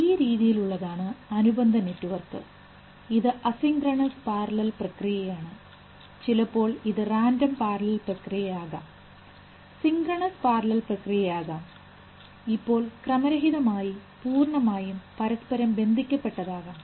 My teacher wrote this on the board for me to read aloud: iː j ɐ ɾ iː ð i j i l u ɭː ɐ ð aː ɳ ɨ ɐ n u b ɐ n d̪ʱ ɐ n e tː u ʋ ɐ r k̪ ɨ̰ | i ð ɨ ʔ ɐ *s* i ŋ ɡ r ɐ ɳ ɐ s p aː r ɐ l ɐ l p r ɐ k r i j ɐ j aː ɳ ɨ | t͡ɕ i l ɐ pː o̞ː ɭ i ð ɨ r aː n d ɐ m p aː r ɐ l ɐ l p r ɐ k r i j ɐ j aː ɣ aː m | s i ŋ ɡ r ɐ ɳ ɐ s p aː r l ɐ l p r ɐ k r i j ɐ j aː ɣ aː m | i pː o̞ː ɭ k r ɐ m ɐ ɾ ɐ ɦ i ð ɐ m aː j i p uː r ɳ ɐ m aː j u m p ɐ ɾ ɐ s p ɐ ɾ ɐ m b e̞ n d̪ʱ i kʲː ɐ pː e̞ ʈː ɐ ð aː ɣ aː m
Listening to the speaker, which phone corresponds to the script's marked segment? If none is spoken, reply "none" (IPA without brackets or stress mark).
s